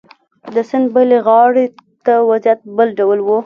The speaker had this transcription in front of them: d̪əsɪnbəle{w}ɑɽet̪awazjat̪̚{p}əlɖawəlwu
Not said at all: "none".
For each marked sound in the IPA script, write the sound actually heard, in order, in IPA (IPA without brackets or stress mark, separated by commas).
ɣ, b